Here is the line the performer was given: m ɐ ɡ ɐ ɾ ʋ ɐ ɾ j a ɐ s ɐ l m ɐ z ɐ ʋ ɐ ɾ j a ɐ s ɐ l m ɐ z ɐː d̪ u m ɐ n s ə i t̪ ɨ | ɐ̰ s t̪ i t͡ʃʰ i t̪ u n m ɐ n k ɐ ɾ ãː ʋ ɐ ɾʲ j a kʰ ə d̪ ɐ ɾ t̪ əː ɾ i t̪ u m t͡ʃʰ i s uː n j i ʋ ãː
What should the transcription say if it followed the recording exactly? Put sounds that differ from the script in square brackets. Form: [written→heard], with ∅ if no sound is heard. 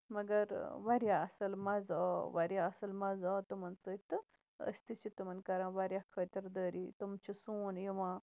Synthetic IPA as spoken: m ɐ ɡ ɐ ɾ ʋ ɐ ɾ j a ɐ s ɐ l m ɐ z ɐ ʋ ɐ ɾ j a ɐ s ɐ l m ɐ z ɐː [d̪→t̪] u m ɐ n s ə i t̪ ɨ | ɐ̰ s t̪ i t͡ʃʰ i t̪ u [n→∅] m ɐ n k ɐ ɾ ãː ʋ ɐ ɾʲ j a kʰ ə [d̪→t̪] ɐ ɾ [t̪→d̪] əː ɾ i t̪ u m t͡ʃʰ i s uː n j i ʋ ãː

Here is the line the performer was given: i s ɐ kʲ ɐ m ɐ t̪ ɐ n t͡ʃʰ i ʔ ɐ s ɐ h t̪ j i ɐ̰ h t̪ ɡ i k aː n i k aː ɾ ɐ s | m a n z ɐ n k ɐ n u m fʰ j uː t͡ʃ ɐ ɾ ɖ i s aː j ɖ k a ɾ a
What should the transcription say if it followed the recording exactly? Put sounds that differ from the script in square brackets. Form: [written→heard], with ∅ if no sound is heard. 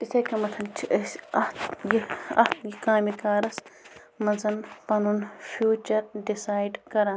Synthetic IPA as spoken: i s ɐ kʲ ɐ m ɐ [t̪→t̪ʰ] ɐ n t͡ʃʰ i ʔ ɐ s ɐ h t̪ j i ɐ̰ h t̪ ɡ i k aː [n→m] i k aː ɾ ɐ s | m [a→ɐ] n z ɐ n [k→p] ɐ n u [m→n] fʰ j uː t͡ʃ ɐ ɾ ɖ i s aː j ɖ k [a→ɐ] ɾ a

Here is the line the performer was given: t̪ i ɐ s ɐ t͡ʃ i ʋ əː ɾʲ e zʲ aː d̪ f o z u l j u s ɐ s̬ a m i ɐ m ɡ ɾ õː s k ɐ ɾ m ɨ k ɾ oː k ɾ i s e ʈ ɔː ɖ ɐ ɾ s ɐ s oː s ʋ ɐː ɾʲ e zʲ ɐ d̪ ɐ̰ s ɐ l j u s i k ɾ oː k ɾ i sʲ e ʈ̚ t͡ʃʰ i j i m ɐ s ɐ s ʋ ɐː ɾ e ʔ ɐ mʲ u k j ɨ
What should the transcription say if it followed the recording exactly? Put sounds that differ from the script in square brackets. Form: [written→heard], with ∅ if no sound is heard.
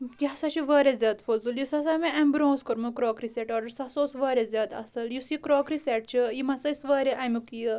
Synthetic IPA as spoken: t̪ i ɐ s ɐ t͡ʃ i ʋ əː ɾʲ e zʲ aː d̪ f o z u l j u s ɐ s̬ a m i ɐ m [ɡ→b] ɾ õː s k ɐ ɾ m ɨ k ɾ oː k ɾ i s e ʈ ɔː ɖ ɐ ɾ s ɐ s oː s ʋ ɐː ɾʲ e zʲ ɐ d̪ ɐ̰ s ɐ l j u s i k ɾ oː k ɾ i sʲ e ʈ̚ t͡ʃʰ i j i m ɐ s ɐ s ʋ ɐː ɾ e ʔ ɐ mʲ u k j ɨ

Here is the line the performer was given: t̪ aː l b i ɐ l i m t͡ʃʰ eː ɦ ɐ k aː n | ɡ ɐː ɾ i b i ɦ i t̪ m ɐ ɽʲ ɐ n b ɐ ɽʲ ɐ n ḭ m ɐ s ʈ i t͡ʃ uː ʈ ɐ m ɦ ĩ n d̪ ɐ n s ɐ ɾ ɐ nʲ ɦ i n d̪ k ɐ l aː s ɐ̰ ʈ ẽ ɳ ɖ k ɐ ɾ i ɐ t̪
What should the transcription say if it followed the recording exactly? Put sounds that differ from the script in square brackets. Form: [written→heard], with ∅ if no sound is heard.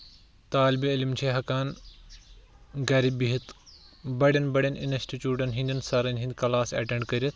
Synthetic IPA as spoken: t̪ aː l b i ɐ l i m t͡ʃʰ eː ɦ ɐ k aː n | ɡ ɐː ɾ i b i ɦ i t̪ [m→b] ɐ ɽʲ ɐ n b ɐ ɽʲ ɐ n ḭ [m→n] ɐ s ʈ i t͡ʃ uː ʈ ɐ [m→n] ɦ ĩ n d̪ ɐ n s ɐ ɾ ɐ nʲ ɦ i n d̪ k ɐ l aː s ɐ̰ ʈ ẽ ɳ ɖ k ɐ ɾ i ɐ t̪

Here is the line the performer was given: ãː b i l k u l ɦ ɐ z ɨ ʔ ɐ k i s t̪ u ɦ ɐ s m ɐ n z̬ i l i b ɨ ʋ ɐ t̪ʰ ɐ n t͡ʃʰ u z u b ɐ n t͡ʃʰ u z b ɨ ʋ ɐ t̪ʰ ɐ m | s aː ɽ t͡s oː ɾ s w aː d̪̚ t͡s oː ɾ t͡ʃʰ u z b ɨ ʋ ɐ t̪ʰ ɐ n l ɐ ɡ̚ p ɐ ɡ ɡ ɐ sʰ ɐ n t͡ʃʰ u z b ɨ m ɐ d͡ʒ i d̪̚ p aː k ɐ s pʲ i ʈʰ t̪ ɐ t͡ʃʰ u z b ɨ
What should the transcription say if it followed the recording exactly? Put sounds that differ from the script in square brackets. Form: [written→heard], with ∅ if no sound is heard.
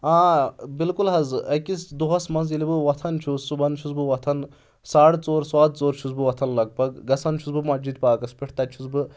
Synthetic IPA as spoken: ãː b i l k u l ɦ ɐ z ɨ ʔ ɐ k i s [t̪→d̪] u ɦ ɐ s m ɐ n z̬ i l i b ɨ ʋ ɐ t̪ʰ ɐ n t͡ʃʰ u [z→s] u b ɐ n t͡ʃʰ u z b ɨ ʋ ɐ t̪ʰ ɐ [m→n] | s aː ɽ t͡s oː ɾ s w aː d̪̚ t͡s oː ɾ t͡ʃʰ u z b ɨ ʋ ɐ t̪ʰ ɐ n l ɐ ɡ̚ p ɐ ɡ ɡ ɐ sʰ ɐ n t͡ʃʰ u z b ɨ m ɐ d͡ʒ i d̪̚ p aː k ɐ s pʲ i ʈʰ t̪ ɐ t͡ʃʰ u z b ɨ

